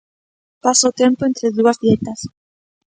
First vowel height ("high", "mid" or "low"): low